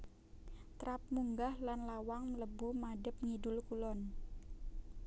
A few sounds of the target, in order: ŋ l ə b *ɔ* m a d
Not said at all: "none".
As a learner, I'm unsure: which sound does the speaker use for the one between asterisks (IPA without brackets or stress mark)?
u